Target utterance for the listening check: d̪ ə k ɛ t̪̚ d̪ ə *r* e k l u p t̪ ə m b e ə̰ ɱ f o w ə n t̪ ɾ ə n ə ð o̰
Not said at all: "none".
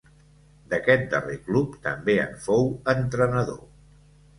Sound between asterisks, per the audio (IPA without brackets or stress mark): r